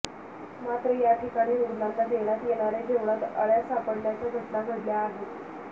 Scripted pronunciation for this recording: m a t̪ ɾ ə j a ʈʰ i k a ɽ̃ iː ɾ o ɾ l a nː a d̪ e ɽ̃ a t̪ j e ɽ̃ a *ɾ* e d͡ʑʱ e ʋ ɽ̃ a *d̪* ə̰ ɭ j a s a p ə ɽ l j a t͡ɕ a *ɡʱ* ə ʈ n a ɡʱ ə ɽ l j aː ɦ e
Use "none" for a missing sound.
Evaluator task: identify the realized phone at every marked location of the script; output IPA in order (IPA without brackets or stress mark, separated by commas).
ɾ, t̪, ɡʱ